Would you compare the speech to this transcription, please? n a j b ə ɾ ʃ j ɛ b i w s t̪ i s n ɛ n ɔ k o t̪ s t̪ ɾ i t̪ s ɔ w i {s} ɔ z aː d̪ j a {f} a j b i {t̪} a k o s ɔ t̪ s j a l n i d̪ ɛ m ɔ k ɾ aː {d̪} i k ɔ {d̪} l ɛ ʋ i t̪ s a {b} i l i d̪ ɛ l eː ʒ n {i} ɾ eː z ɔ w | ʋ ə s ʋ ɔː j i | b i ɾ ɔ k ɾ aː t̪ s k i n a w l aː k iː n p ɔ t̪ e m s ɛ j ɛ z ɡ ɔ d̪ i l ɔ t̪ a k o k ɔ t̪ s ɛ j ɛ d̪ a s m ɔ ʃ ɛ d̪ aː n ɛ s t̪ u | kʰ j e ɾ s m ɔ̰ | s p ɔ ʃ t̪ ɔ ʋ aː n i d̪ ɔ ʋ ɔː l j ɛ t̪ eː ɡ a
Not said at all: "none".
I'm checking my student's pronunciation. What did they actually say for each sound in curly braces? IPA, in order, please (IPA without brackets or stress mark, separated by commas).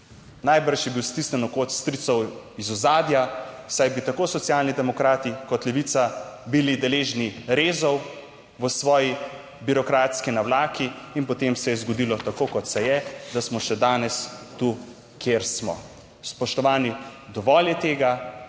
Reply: z, s, t̪, t̪, t̪, b, i